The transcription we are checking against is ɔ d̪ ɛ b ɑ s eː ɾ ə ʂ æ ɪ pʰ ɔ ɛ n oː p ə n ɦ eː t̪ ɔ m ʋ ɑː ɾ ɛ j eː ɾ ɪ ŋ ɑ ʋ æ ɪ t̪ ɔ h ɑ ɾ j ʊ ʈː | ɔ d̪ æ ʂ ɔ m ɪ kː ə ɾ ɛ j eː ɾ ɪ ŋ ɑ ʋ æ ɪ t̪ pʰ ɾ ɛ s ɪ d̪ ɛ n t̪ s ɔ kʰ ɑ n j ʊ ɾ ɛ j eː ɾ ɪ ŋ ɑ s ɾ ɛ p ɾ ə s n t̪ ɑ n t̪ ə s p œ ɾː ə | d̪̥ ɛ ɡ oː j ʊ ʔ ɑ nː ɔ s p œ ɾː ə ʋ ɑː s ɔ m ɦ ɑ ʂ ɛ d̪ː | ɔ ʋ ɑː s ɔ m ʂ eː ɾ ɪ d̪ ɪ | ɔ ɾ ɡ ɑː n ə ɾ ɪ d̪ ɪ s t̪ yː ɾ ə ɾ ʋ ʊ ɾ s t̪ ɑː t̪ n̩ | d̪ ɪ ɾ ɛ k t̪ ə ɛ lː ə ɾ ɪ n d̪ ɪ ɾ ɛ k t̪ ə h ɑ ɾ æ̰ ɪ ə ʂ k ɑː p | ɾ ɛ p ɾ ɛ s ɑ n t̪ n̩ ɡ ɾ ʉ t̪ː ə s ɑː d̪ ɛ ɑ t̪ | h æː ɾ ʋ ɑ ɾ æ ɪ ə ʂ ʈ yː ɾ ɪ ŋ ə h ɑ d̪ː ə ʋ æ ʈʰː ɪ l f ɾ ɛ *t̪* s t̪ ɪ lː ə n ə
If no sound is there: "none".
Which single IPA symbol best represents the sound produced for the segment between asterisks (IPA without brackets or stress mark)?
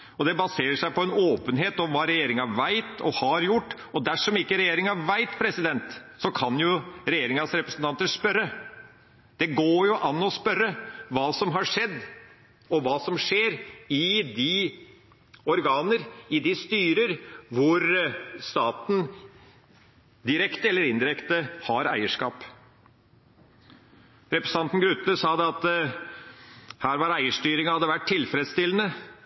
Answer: d̪